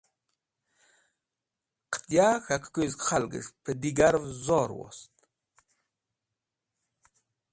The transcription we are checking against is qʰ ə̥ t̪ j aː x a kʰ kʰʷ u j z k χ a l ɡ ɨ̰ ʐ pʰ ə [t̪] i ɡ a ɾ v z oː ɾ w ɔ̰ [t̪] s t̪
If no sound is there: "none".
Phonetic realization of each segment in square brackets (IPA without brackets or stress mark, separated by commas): d̪, none